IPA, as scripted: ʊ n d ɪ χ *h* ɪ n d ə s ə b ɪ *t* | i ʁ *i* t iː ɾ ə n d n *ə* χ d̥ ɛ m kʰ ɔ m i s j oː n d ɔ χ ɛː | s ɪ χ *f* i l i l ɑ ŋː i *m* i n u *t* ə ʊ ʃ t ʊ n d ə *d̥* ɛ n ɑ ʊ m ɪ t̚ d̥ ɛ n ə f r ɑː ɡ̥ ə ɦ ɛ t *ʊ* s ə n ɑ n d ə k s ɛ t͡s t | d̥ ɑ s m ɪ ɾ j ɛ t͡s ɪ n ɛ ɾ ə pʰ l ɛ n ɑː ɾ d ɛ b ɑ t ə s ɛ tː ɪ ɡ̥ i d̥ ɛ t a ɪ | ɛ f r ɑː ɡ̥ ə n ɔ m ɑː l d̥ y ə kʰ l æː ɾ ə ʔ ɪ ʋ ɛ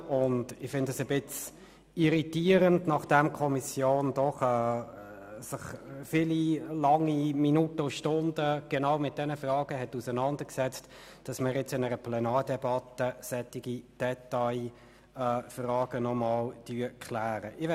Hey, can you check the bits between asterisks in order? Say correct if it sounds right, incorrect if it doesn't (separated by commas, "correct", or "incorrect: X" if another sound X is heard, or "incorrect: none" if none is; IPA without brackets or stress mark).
incorrect: f, incorrect: t͡s, correct, incorrect: ɑ, correct, correct, correct, incorrect: ɡ̥, incorrect: u